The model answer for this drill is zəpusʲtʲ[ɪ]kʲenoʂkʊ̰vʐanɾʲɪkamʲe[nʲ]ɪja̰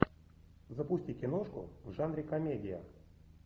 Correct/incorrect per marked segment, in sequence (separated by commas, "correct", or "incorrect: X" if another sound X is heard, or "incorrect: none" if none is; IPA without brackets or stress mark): incorrect: i, incorrect: dʲ